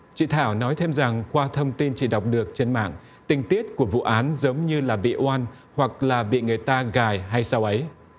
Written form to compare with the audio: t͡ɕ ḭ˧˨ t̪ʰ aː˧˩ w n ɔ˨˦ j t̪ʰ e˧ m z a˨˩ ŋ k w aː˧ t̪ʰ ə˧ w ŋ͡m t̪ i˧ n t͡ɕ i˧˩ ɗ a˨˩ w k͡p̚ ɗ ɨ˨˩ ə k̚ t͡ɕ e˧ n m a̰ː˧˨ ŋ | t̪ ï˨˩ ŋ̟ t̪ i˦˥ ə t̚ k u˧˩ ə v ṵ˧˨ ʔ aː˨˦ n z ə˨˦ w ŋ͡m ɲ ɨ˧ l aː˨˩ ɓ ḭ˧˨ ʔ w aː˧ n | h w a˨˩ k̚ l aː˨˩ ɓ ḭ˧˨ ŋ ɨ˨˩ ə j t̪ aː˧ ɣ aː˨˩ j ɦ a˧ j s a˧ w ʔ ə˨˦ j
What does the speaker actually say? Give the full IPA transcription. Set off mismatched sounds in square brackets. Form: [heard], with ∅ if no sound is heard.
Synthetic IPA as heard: t͡ɕ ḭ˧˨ t̪ʰ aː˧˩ w n ɔ˨˦ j t̪ʰ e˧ m z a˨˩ ŋ k w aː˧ t̪ʰ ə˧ w ŋ͡m t̪ i˧ n t͡ɕ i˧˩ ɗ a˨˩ w k͡p̚ ɗ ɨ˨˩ ə k̚ t͡ɕ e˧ n m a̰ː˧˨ ŋ | t̪ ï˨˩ ŋ̟ t̪ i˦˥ ə t̚ k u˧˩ ə v ṵ˧˨ ʔ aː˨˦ n z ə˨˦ w ŋ͡m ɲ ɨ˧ l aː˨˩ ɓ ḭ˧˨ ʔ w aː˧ n | h w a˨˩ k̚ l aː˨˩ ɓ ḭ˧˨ ŋ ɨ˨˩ ə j t̪ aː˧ ɣ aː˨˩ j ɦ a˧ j s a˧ w ʔ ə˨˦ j